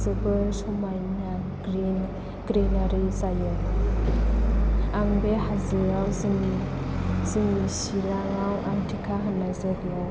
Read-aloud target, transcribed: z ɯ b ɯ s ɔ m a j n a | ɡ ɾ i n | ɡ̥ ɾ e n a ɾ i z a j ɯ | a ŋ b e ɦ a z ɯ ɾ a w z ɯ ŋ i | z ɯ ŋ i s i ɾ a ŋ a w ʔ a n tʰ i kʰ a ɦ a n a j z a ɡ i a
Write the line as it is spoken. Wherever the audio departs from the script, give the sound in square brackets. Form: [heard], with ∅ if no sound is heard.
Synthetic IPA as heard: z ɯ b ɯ s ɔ m a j n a | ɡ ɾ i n | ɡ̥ ɾ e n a ɾ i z a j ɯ | a ŋ b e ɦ a z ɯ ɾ a w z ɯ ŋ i | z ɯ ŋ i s i ɾ a ŋ a w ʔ a [ŋ] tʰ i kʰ a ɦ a n a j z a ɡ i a